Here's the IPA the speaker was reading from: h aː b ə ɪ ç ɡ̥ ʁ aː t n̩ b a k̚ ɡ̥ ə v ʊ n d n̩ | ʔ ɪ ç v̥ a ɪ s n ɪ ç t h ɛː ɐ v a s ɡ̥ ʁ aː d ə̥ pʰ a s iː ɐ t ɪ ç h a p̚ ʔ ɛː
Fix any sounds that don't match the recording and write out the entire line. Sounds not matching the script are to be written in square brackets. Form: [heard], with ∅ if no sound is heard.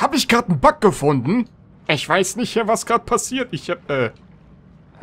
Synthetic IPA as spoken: h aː b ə ɪ ç ɡ̥ ʁ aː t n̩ b a k̚ ɡ̥ ə [f] ʊ n d n̩ | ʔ ɪ ç v̥ a ɪ s n ɪ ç t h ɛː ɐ v a s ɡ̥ ʁ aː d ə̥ pʰ a s iː ɐ t ɪ ç h a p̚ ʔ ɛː